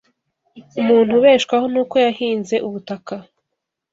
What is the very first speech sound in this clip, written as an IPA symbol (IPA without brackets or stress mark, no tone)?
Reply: u